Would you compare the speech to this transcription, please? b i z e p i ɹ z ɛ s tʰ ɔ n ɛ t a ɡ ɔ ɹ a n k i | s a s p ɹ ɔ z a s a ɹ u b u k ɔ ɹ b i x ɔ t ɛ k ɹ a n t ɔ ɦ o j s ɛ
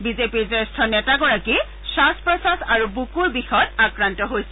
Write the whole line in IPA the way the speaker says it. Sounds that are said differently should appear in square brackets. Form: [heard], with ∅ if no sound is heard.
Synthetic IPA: b i z e p i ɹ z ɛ s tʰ ɔ n ɛ t a ɡ ɔ ɹ a [∅] k i | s a s p ɹ ɔ [s] a s a ɹ u b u k [u] ɹ b i x ɔ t [a] k ɹ a n t ɔ ɦ o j s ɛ